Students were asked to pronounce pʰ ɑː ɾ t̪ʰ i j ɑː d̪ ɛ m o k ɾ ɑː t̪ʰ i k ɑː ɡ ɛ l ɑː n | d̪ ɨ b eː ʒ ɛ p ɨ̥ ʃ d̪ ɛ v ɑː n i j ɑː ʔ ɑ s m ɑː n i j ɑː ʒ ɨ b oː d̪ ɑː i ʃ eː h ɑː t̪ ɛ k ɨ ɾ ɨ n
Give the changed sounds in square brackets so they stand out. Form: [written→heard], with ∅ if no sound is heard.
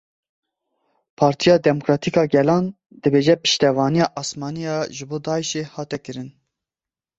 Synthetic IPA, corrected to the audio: pʰ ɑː ɾ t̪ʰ i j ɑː d̪ ɛ m o k ɾ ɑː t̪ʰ i k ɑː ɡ ɛ l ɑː n | d̪ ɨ b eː ʒ ɛ p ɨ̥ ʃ [d̪→t̪] ɛ v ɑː n i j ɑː ʔ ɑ s m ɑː n i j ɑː ʒ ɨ b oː d̪ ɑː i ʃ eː h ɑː t̪ ɛ k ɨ ɾ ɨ n

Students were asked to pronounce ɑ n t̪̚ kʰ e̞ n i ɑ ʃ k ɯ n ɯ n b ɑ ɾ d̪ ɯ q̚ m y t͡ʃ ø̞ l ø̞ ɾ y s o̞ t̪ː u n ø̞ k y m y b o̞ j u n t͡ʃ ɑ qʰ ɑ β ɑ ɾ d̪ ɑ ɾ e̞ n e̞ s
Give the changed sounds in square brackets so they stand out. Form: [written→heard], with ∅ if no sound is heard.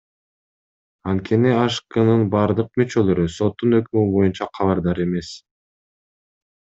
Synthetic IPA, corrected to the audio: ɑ n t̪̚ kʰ e̞ n i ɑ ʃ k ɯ n ɯ n b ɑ ɾ d̪ ɯ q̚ m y t͡ʃ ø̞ l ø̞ ɾ y s o̞ t̪ː u n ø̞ k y m y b o̞ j u n t͡ʃ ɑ qʰ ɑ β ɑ ɾ d̪ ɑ ɾ e̞ [n→m] e̞ s

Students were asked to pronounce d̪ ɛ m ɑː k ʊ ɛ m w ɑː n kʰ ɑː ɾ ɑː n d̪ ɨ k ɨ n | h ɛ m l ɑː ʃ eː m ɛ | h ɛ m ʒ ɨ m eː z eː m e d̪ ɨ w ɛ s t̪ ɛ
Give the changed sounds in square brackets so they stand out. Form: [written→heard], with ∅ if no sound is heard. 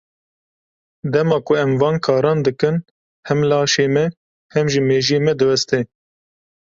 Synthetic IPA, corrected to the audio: d̪ ɛ m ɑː k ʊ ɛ m [w→v] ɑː n kʰ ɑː ɾ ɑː n d̪ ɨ k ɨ n | h ɛ m l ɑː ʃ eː m ɛ | h ɛ m ʒ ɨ m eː [z→ʒ] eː m [e→ɛ] d̪ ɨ w ɛ s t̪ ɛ

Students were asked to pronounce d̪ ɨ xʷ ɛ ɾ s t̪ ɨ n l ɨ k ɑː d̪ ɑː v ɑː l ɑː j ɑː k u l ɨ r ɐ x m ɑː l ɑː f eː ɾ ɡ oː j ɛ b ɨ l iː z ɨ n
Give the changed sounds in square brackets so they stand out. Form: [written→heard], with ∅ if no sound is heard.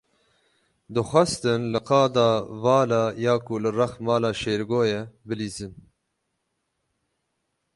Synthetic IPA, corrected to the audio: d̪ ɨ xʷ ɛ [ɾ→∅] s t̪ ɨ n l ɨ [k→q] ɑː d̪ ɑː v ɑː l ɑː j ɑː k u l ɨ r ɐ x m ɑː l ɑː [f→ʃ] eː ɾ ɡ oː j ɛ b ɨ l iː z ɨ n

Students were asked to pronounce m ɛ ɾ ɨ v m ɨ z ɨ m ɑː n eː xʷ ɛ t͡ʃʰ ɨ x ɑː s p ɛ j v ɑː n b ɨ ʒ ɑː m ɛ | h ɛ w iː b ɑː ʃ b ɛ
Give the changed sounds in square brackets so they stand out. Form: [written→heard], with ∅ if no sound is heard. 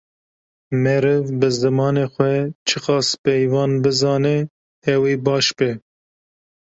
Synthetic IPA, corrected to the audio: m ɛ ɾ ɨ v [m→b] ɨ z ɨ m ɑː n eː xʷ ɛ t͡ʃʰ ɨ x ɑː s p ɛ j v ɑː n b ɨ [ʒ→z] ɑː [m→n] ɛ | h ɛ w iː b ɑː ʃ b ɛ

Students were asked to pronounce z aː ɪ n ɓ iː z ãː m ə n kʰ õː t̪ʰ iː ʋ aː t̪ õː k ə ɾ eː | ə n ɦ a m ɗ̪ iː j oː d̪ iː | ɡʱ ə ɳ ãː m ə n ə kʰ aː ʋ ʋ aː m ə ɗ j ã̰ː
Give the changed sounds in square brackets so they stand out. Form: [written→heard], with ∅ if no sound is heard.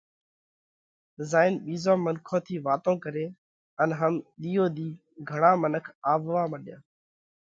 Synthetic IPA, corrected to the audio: z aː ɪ n ɓ iː z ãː m ə n kʰ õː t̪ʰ iː ʋ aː t̪ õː k ə ɾ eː | ə n ɦ [a→ə] m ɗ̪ iː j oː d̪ iː | ɡʱ ə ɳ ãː m ə n ə kʰ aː ʋ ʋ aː m ə ɗ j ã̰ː

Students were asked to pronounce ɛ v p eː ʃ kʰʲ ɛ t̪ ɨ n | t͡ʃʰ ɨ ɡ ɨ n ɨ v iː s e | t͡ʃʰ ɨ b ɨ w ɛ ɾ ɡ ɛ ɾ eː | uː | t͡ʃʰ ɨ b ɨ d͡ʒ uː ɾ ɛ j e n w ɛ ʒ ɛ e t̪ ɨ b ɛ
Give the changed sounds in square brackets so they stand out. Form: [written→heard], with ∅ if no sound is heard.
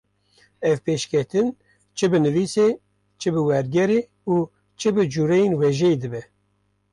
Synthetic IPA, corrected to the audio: ɛ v p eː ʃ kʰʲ ɛ t̪ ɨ n | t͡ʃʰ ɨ [ɡ→b] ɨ n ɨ v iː s e | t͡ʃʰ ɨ b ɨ w ɛ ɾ ɡ ɛ ɾ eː | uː | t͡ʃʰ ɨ b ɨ d͡ʒ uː ɾ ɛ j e n w ɛ ʒ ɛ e [t̪→d̪] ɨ b ɛ

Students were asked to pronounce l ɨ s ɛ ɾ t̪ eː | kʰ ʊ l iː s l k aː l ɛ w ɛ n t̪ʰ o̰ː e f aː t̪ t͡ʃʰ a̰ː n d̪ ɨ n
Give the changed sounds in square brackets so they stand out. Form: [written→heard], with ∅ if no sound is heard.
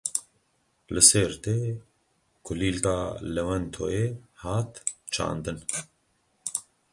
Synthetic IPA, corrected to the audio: l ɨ s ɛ ɾ t̪ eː | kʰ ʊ l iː [s→∅] l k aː l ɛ w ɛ n t̪ʰ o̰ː e [f→h] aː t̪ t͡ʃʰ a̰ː n d̪ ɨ n

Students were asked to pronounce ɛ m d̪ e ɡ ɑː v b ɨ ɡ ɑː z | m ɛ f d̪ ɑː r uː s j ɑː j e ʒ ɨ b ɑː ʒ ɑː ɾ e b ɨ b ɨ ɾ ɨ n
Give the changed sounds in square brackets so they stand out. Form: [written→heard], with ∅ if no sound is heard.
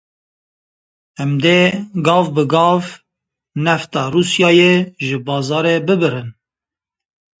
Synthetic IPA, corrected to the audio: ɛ m d̪ e ɡ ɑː v b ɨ ɡ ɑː [z→v] | [m→n] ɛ f [d̪→t̪] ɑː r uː s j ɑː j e ʒ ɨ b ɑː [ʒ→z] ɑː ɾ e b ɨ b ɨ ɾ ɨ n

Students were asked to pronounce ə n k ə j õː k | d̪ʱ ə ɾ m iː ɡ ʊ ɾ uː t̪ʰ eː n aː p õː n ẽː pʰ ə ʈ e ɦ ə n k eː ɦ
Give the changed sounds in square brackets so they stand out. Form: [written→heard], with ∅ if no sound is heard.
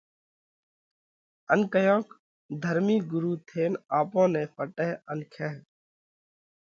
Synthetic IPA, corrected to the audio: ə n k ə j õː k | d̪ʱ ə ɾ m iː ɡ ʊ ɾ uː t̪ʰ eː n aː p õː n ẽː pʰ ə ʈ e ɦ ə n [k→kʰ] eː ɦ

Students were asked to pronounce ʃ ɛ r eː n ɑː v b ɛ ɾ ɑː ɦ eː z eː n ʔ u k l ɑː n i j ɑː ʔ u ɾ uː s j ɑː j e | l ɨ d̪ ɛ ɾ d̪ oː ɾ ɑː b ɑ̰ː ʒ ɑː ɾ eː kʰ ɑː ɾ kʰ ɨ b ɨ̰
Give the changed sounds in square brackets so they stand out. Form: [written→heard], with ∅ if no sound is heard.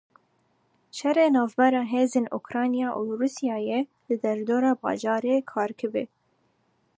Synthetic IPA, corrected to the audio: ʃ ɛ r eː n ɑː v b ɛ ɾ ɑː ɦ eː z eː n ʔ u k [l→ɾ] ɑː n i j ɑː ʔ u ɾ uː s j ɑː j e | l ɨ d̪ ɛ ɾ d̪ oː ɾ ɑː b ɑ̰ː ʒ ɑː ɾ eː kʰ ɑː ɾ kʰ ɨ b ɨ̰

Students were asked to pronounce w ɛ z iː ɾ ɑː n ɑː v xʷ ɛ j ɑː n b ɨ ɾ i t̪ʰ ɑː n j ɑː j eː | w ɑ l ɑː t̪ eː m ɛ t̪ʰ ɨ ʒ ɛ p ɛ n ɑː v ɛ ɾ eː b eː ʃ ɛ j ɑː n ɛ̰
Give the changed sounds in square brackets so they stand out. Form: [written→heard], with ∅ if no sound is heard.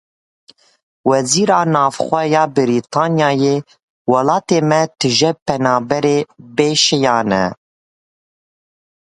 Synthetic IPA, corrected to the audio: w ɛ z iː ɾ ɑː n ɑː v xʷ ɛ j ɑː [n→∅] b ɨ ɾ i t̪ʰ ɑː n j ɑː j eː | w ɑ l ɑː t̪ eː m ɛ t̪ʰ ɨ ʒ ɛ p ɛ n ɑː [v→b] ɛ ɾ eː b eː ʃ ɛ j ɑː n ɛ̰

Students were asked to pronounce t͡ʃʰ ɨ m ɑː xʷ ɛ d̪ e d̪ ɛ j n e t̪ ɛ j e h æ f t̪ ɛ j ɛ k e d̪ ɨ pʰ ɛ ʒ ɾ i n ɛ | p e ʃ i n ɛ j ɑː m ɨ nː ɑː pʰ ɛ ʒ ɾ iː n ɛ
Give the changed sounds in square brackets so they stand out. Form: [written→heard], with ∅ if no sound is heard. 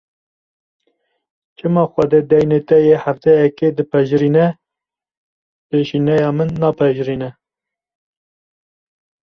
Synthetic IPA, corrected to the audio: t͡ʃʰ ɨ m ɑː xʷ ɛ d̪ e d̪ ɛ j n e t̪ ɛ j e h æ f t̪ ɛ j ɛ k e d̪ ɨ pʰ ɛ ʒ ɾ i n ɛ | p e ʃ i n ɛ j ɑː m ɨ nː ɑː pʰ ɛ ʒ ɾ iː n ɛ

